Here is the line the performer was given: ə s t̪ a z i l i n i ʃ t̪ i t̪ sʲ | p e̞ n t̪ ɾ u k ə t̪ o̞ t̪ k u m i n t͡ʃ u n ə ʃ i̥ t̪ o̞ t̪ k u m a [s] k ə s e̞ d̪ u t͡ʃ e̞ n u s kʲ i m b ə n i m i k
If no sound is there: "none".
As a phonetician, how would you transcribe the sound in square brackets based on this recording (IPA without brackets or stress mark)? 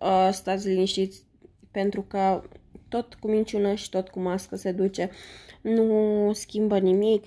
s